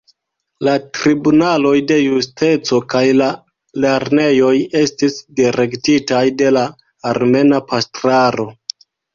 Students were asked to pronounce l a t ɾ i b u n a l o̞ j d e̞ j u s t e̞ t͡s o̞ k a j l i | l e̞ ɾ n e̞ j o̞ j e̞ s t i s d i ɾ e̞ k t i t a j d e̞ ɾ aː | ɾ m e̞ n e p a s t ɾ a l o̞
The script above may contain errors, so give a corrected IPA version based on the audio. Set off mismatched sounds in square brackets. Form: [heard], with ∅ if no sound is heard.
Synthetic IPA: l a t ɾ i b u n a l o̞ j d e̞ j u s t e̞ t͡s o̞ k a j l [a] | l e̞ ɾ n e̞ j o̞ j e̞ s t i s d i ɾ e̞ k t i t a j d e̞ [l] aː | ɾ m e̞ n [a] p a s t ɾ a [ɾ] o̞